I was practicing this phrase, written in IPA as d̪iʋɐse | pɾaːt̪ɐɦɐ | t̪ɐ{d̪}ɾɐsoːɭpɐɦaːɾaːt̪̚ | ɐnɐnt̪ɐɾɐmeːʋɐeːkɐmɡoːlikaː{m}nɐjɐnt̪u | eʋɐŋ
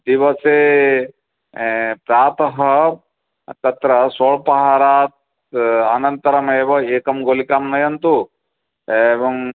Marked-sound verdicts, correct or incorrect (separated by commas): incorrect, correct